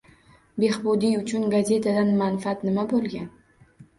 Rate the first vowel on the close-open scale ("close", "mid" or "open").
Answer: mid